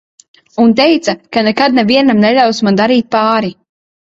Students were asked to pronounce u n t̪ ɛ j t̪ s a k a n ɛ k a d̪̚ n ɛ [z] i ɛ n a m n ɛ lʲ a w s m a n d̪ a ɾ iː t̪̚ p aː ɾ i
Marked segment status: incorrect: v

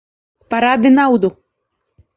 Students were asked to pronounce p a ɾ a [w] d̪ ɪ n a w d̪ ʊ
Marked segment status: incorrect: none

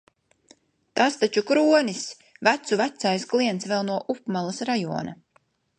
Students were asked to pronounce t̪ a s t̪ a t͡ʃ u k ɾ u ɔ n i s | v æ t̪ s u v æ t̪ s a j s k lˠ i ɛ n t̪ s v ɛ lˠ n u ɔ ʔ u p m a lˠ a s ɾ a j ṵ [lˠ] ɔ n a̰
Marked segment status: incorrect: none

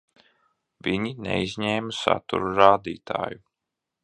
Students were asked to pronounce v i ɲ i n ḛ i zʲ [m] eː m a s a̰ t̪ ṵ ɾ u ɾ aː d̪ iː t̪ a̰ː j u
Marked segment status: incorrect: ɲ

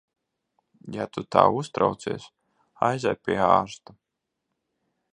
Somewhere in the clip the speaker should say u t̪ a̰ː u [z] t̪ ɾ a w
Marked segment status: incorrect: s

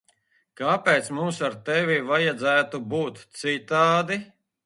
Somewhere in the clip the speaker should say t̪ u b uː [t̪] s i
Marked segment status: correct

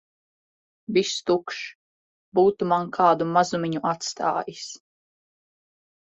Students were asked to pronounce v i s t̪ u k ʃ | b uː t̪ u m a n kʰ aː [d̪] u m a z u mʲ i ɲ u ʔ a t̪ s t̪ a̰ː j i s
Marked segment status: correct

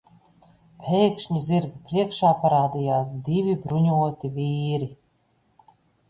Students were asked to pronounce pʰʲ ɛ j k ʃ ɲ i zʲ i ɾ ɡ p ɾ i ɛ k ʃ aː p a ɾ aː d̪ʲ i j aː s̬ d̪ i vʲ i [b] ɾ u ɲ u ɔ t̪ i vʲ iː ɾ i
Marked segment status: correct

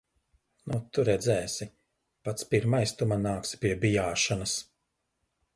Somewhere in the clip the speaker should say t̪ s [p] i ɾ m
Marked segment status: correct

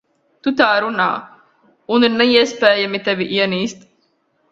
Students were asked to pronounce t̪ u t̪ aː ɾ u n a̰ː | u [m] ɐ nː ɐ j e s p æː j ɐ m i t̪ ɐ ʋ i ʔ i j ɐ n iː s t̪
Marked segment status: incorrect: n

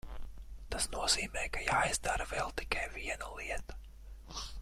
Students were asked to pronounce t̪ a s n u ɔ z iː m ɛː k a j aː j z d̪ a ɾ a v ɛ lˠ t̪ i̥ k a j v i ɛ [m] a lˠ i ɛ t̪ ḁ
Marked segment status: incorrect: n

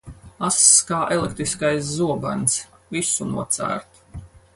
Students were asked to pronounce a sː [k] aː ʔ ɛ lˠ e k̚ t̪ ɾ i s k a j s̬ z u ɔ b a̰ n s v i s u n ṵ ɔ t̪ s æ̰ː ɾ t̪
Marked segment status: correct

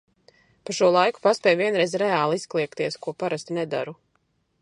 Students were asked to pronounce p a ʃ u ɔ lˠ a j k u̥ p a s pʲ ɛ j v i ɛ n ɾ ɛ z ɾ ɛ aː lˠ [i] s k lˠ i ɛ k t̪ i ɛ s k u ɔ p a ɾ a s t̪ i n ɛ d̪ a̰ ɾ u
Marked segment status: correct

